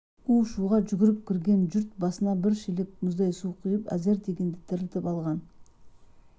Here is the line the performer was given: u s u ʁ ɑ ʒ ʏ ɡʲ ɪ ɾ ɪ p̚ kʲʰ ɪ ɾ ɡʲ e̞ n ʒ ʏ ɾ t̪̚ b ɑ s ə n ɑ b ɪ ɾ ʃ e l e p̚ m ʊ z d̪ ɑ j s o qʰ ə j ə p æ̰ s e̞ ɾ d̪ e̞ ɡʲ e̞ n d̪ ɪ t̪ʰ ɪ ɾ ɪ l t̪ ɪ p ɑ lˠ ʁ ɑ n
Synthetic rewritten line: u ʃ u ʁ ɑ ʒ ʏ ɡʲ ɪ ɾ ɪ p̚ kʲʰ ɪ ɾ ɡʲ e̞ n ʒ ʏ ɾ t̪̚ b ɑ s ə n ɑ b ɪ ɾ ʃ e l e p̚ m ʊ z d̪ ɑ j s u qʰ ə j ə p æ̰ z e̞ ɾ d̪ e̞ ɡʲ e̞ n d̪ ɪ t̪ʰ ɪ ɾ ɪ l t̪ ɪ p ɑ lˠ ʁ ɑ n